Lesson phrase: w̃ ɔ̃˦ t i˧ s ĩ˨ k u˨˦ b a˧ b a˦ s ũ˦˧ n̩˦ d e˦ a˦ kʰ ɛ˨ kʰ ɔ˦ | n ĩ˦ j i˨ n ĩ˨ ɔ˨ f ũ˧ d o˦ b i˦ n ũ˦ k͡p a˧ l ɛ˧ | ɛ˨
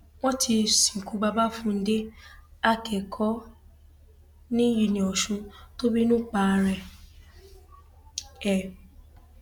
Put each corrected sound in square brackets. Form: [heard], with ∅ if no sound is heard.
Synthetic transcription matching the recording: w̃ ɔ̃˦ t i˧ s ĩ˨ k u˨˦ b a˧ b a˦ [f] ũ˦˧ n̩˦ d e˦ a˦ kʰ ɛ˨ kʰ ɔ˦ | n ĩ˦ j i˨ n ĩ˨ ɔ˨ [ʃ] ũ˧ [t] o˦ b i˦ n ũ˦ k͡p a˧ [ɾ] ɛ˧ | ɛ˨